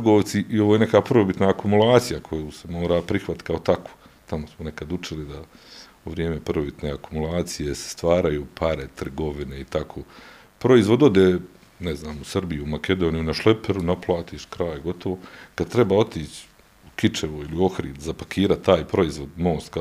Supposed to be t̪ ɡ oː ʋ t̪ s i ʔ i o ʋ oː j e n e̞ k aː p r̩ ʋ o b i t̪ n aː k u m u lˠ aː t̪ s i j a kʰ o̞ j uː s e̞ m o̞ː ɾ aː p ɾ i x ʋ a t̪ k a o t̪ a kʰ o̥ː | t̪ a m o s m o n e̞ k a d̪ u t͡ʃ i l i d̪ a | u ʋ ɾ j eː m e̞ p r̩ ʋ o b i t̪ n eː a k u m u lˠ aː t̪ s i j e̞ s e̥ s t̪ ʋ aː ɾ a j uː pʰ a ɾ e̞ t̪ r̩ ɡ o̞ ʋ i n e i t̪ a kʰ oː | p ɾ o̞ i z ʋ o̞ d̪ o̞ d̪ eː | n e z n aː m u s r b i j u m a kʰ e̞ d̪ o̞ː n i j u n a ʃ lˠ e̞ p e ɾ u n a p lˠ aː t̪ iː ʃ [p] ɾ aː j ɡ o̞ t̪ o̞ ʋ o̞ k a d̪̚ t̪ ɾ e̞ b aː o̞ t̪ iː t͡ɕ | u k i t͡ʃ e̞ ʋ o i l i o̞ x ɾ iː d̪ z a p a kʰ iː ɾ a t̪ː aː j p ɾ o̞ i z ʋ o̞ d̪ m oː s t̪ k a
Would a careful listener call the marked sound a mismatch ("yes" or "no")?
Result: yes